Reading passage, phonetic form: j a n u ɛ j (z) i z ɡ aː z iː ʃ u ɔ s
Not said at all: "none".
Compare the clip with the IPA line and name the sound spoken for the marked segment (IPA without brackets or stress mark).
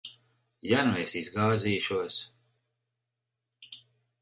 s